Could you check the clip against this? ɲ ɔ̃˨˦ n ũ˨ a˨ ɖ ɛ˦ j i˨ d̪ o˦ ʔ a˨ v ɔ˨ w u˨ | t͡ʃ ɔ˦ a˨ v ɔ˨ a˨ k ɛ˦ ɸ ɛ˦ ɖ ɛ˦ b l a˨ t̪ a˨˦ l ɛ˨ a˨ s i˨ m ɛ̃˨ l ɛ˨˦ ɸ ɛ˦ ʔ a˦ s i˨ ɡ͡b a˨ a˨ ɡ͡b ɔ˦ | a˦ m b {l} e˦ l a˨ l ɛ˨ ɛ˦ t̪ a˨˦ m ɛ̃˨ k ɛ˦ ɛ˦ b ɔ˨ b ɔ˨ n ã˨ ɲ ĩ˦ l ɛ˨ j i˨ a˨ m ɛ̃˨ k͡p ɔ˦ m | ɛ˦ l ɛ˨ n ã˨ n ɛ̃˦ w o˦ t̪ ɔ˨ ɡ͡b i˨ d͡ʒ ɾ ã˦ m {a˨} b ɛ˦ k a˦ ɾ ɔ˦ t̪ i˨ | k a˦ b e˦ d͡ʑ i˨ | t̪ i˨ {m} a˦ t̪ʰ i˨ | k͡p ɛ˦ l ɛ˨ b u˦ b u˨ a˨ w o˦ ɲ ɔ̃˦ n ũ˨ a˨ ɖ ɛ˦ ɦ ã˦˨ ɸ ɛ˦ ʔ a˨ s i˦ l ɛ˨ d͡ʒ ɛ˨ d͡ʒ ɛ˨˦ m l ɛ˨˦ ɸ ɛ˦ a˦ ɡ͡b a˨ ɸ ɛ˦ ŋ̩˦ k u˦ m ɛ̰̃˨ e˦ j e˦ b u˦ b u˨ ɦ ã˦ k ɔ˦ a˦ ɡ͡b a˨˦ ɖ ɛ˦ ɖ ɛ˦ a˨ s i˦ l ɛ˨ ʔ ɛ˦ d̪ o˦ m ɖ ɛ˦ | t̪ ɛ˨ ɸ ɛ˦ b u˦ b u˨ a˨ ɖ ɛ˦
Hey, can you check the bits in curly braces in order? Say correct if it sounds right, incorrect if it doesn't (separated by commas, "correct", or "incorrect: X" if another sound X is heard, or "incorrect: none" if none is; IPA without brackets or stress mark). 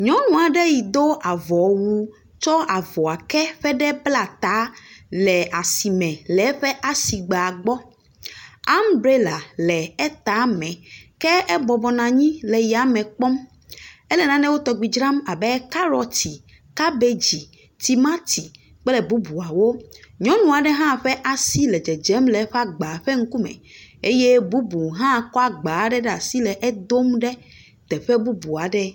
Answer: incorrect: ɾ, correct, correct